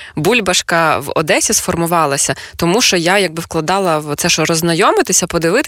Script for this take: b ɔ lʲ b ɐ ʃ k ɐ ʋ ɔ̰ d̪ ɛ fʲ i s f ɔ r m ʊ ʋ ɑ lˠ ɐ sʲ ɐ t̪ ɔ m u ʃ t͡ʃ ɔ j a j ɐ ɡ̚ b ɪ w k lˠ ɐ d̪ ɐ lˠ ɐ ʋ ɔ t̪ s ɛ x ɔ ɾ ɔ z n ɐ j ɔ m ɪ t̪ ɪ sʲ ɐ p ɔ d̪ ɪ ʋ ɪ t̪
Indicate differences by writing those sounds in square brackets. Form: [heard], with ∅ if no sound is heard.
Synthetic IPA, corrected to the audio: b [u] lʲ b ɐ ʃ k ɐ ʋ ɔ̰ d̪ ɛ [sʲ] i s f ɔ r m ʊ ʋ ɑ lˠ ɐ sʲ ɐ t̪ ɔ m u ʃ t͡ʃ ɔ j a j ɐ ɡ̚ b ɪ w k lˠ ɐ d̪ [ɑ] lˠ ɐ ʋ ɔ t̪ s ɛ [ʃ] ɔ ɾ ɔ z n ɐ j ɔ m ɪ t̪ ɪ sʲ ɐ p ɔ d̪ ɪ ʋ ɪ t̪